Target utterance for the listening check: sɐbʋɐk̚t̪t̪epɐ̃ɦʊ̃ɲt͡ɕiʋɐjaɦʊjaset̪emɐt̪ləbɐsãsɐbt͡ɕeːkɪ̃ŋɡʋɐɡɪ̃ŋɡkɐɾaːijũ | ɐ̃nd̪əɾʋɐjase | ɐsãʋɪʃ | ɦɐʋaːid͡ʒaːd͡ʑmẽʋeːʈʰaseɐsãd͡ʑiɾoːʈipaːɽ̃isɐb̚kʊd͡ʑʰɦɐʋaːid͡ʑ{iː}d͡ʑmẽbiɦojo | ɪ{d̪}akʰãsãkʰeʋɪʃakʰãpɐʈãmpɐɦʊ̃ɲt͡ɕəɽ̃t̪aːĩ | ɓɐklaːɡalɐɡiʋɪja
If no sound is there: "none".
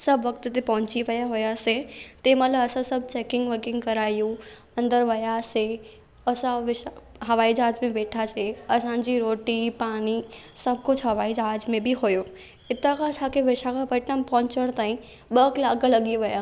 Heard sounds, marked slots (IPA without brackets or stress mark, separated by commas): aː, t̪